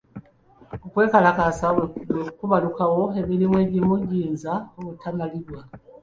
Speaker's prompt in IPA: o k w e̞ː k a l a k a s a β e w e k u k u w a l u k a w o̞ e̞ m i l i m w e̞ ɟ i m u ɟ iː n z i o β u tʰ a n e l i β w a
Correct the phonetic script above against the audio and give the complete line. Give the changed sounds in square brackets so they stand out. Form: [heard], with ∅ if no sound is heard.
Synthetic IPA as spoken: o k w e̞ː k a l a k a s a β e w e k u k u [β] a l u k a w o̞ e̞ m i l i m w e̞ ɟ i m u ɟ iː n z [a] o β u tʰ a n [a] l i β w a